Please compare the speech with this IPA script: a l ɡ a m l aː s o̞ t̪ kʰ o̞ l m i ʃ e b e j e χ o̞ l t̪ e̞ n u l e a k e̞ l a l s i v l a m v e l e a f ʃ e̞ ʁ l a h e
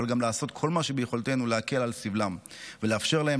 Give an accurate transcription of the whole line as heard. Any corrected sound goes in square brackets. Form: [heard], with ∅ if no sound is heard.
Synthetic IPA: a l ɡ a m l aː s o̞ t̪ kʰ o̞ l m [a] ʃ e b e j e χ o̞ l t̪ e̞ n u l e a k e̞ l a l s i v l a m v e l e a f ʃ e̞ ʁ l a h e